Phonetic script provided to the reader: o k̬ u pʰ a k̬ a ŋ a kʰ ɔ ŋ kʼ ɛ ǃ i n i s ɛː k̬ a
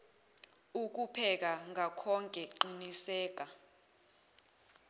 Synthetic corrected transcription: u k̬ u pʰ ɛ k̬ a ŋ a kʰ ɔ ŋ kʼ ɛ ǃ i n i s ɛː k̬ a